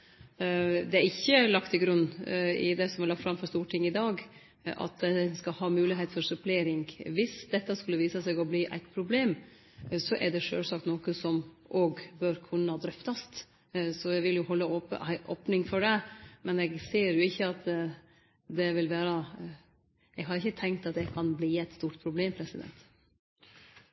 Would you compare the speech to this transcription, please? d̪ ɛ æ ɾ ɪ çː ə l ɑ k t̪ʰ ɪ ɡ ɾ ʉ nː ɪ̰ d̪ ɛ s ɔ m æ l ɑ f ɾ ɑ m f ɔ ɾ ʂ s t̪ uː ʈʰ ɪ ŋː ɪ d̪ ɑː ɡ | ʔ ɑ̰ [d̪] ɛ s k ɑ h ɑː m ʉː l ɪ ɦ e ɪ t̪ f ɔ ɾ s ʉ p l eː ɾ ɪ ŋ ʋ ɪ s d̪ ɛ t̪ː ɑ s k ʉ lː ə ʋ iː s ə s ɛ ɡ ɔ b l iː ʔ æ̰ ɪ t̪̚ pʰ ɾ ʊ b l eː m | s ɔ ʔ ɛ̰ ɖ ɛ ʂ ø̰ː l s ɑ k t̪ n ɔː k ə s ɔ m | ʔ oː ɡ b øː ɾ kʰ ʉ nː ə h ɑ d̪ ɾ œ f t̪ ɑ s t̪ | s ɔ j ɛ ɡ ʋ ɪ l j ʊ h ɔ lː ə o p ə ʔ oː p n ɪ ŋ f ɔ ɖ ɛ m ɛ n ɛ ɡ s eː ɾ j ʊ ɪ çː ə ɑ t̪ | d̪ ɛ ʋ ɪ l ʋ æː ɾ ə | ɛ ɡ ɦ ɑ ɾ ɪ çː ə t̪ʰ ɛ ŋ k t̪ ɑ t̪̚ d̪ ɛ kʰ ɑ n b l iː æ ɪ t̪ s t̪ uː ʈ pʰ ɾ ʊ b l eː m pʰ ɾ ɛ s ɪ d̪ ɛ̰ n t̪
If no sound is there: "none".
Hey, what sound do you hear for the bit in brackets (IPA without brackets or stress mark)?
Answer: t̪